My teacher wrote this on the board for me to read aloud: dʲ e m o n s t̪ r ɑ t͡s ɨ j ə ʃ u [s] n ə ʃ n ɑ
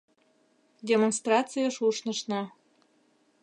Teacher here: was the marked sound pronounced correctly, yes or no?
no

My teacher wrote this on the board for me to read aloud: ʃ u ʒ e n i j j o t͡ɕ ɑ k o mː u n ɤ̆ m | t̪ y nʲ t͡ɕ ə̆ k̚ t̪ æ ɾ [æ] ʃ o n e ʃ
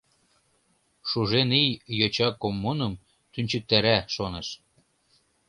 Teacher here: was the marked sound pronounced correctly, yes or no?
yes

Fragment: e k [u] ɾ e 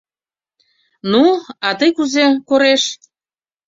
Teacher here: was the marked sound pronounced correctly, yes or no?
no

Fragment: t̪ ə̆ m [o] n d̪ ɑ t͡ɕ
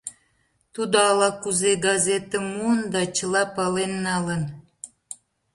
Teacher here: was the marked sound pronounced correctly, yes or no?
no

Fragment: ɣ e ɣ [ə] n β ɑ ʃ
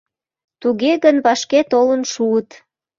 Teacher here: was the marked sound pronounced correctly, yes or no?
yes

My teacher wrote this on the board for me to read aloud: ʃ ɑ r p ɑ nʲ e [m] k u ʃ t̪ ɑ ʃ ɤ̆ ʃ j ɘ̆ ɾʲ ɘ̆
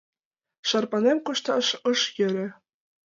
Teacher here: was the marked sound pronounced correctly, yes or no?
yes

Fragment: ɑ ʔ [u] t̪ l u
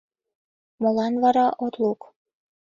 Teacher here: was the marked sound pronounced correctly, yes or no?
no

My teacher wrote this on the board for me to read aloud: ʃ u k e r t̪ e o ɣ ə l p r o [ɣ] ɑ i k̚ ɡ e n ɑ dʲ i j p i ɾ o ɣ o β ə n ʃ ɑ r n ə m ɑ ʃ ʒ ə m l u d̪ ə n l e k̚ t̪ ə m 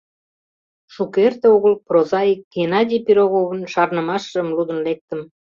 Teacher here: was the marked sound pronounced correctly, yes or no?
no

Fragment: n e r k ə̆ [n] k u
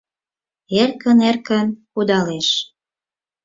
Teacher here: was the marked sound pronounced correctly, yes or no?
yes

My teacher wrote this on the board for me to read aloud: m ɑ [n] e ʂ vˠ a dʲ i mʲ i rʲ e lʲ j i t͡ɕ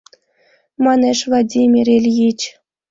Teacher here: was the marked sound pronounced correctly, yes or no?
yes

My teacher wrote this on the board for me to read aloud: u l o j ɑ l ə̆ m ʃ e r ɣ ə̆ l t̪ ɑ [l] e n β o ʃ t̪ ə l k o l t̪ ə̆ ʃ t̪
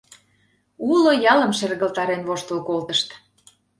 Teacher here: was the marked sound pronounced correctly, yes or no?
no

